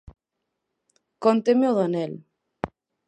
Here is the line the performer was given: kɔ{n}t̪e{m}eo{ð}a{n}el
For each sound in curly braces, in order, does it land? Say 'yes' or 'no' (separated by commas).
yes, yes, yes, yes